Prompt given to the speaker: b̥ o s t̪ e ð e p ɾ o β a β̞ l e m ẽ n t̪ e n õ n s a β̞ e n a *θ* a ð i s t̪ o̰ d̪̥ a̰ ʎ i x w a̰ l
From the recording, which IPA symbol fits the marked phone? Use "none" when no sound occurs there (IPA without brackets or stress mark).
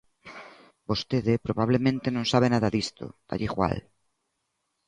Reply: ð